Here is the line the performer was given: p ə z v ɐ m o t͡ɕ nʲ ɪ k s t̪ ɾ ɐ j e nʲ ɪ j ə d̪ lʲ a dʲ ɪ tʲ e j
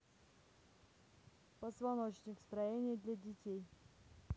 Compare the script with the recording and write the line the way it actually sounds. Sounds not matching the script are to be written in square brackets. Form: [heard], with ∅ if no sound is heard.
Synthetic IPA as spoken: p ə z v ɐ [n] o t͡ɕ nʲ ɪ k s t̪ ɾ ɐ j e nʲ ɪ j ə d̪ lʲ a dʲ ɪ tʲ e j